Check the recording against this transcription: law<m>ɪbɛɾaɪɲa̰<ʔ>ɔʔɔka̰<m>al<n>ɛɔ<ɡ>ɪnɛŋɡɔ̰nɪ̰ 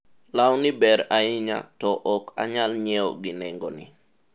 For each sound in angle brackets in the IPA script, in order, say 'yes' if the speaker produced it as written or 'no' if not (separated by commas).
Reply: no, no, no, no, yes